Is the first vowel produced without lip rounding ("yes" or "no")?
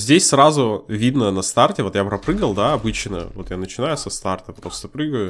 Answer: yes